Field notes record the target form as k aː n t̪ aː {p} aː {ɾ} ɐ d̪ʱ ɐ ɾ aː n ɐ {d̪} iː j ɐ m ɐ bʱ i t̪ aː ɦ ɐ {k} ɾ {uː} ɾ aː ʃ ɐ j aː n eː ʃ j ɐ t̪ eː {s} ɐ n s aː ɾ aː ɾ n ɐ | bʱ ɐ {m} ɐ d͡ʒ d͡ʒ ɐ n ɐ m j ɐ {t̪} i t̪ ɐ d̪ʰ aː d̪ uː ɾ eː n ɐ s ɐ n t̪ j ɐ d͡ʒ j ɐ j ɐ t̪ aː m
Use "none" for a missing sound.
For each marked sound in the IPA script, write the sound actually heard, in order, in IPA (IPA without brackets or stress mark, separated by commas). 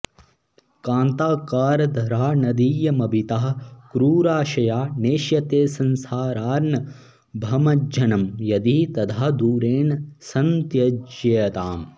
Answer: k, ɾ, d̪, k, uː, s, m, d̪